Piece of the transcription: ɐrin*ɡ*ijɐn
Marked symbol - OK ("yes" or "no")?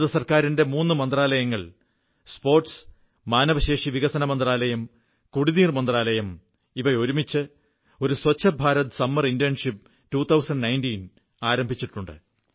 no